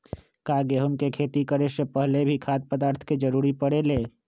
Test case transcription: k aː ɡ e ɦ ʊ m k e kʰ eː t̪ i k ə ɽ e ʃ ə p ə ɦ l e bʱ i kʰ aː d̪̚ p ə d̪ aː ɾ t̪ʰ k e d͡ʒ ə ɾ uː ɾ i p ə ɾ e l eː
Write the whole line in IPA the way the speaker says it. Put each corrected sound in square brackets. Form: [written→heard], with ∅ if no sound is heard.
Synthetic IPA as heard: k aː ɡ e ɦ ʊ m k e kʰ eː t̪ i k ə [ɽ→ɾ] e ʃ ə p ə ɦ l e bʱ i kʰ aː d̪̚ p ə d̪ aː ɾ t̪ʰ k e d͡ʒ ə ɾ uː ɾ i p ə [ɾ→ɽ] e l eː